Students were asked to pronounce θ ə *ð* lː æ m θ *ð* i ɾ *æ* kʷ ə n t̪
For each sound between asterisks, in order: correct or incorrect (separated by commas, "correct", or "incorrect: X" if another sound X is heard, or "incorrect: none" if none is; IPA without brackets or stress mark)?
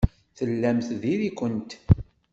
incorrect: none, correct, incorrect: i